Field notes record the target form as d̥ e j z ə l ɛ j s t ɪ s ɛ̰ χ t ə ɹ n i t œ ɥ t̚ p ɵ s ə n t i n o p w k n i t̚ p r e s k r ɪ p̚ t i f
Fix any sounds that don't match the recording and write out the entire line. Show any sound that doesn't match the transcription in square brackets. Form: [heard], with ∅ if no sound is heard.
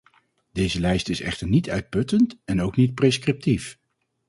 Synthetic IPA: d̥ e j z ə l ɛ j s t ɪ s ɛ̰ χ t ə ɹ n i t œ ɥ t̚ p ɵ [t] ə n t [ɛ] n o [∅] w k n i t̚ p r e s k r ɪ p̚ t i f